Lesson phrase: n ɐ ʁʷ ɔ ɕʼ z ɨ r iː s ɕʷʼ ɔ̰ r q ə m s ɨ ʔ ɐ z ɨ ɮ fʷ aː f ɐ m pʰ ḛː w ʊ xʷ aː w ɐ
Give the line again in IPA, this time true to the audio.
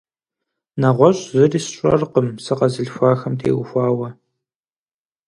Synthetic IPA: n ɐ ʁʷ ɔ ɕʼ z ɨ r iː s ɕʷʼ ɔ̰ r q ə m s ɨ q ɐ z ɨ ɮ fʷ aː x ɐ m tʰ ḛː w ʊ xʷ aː w ɐ